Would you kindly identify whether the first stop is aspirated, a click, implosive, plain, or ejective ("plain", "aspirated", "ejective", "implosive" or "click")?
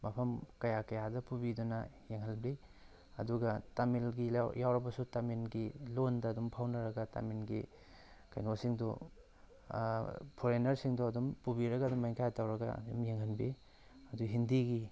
aspirated